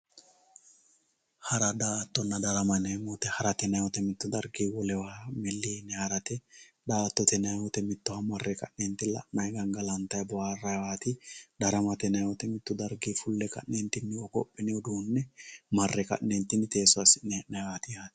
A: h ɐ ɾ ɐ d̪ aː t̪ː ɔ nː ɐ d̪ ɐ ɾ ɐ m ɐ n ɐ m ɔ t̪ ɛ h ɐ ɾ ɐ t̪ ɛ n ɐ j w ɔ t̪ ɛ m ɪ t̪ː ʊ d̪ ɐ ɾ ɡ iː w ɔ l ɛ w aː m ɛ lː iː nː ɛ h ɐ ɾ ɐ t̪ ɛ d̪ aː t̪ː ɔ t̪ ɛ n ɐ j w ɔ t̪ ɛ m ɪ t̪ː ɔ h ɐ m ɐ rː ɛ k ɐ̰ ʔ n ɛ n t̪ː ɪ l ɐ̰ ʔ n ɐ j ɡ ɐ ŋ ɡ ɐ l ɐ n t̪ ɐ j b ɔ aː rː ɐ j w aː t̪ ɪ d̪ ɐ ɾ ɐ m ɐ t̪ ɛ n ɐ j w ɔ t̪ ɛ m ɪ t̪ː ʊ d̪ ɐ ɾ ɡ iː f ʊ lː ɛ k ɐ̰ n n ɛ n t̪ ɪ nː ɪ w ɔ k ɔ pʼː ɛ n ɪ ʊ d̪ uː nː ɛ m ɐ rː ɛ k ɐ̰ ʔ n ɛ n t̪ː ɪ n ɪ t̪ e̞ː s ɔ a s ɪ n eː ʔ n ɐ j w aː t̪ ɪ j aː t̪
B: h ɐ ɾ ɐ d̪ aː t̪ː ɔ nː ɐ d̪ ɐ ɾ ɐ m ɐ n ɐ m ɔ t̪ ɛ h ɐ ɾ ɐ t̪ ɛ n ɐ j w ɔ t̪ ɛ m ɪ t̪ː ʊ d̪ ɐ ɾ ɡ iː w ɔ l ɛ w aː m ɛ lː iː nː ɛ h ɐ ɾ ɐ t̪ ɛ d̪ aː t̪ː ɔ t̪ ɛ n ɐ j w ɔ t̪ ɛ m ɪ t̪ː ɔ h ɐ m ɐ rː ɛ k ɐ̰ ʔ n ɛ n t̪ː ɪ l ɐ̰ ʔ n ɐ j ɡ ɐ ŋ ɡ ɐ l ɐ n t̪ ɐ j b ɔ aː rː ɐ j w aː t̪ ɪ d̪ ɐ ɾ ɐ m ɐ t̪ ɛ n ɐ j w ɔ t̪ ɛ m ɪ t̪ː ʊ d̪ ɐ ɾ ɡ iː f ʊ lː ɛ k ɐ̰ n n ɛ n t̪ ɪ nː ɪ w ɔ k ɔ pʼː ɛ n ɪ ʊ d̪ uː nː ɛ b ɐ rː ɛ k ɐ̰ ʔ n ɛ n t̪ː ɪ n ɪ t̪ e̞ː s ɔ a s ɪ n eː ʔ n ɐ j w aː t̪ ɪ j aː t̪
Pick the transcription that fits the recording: A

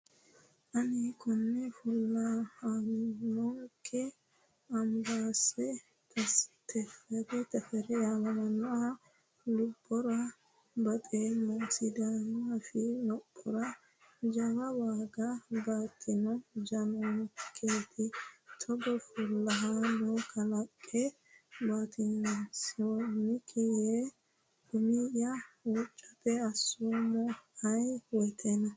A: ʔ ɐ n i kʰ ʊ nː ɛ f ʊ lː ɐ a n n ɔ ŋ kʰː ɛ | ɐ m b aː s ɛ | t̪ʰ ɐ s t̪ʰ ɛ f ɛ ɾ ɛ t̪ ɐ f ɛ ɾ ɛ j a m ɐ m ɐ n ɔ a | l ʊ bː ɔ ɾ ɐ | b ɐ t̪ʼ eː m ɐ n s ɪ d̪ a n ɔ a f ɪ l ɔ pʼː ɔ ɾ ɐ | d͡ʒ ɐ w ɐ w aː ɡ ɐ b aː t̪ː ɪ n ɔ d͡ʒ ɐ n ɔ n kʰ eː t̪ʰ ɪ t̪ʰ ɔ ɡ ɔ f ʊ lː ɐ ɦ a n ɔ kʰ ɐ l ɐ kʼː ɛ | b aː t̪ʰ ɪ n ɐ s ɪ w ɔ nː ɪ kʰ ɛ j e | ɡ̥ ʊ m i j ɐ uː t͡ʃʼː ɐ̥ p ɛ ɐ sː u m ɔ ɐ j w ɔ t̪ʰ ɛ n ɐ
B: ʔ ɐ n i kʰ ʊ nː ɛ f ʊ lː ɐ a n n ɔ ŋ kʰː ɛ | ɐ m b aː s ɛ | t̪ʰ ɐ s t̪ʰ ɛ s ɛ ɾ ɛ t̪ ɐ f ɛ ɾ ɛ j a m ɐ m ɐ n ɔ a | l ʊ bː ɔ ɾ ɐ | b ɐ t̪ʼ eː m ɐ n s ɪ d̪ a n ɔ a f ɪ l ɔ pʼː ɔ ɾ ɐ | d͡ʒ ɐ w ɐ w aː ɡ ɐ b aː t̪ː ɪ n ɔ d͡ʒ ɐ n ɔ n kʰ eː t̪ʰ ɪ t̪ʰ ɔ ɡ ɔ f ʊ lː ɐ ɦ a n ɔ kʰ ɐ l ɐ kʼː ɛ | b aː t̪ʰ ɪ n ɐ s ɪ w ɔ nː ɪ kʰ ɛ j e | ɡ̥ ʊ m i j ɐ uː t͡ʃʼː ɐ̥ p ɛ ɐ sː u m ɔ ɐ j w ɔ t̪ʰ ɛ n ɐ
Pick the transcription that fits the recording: A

